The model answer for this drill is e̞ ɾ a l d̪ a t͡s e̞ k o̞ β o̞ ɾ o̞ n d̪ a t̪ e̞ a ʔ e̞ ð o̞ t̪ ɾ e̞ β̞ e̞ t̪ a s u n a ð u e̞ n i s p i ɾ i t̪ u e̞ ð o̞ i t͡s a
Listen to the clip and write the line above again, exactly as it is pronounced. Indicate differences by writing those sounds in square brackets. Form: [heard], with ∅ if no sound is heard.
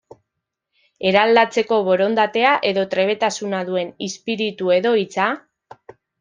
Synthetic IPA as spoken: e̞ ɾ a l d̪ a t͡s e̞ k o̞ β o̞ ɾ o̞ n d̪ a t̪ e̞ a ʔ e̞ ð o̞ t̪ ɾ e̞ β̞ e̞ t̪ a s u n a ð u e̞ n i s p i ɾ i t̪ u e̞ ð o̞ i t͡s a